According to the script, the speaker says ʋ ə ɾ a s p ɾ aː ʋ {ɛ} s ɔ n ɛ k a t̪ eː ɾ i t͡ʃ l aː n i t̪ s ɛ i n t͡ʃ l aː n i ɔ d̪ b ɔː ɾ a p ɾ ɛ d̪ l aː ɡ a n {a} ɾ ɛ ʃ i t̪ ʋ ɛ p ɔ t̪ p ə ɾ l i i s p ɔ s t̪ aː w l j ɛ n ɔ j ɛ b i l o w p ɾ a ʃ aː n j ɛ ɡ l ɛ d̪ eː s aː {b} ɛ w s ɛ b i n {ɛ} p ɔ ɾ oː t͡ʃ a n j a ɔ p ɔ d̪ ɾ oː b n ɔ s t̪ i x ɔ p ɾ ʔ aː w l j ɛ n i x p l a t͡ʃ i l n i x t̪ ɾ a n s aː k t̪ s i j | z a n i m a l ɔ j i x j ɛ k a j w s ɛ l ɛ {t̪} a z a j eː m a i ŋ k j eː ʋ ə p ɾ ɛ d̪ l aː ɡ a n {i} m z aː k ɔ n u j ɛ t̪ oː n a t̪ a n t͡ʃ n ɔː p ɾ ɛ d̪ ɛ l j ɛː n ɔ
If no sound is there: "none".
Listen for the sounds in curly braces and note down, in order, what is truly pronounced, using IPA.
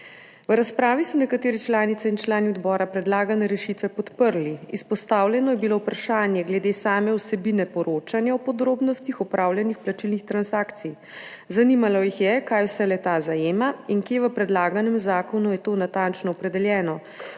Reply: i, ɛ, m, ɛ, t̪, ɛ

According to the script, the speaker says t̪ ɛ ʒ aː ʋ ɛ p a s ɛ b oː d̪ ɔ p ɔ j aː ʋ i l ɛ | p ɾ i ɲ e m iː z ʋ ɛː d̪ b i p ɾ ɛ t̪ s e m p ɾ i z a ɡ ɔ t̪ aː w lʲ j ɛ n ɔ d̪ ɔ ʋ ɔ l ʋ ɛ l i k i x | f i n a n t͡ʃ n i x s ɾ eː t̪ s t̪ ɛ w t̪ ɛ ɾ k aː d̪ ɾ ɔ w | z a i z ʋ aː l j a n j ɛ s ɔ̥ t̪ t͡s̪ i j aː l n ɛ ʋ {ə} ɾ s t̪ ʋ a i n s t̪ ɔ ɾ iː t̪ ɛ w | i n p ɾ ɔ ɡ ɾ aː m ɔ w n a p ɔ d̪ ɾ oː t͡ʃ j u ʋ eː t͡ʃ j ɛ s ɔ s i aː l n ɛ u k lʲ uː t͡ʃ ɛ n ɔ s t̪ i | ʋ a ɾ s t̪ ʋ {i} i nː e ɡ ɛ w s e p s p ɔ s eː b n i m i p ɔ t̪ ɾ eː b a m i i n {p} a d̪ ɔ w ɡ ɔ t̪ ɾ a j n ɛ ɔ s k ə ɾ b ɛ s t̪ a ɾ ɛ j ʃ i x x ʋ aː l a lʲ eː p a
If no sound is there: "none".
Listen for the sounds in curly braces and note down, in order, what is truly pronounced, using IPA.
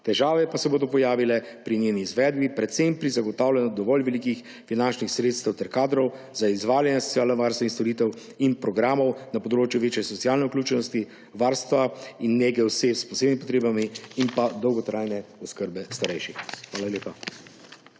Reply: a, a, p

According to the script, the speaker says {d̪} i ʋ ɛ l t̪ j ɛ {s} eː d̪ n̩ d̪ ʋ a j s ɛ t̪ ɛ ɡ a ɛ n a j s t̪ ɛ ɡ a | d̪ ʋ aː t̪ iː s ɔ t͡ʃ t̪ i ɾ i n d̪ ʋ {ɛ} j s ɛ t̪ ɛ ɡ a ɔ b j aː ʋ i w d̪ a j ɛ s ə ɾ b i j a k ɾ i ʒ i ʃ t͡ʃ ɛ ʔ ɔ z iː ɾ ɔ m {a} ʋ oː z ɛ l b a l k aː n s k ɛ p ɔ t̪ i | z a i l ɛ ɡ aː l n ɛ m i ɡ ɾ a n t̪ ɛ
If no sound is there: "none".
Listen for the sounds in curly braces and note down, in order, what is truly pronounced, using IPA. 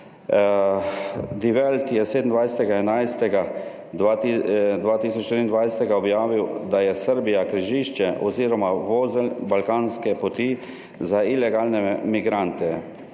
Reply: d̪, s, a, a

